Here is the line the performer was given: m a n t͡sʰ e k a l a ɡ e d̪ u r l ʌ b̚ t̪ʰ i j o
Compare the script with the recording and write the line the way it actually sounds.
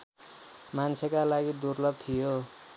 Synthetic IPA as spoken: m a n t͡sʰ e k a l a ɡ i d̪ u r l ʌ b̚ t̪ʰ i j o